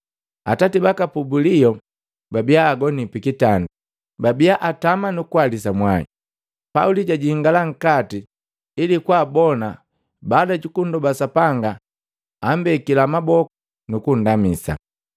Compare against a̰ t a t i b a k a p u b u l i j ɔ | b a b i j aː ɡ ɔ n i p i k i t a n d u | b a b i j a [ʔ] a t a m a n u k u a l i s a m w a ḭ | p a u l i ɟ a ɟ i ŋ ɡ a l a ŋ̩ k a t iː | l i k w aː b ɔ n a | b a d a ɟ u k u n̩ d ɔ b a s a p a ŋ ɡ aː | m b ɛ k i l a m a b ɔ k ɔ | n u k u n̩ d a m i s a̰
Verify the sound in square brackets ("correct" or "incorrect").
correct